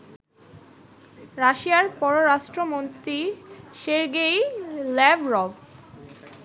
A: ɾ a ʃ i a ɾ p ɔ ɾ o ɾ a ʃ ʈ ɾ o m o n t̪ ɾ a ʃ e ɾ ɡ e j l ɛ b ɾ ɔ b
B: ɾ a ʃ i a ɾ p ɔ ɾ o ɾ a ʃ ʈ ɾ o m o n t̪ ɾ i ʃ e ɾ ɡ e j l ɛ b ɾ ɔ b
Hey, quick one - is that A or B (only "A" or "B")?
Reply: B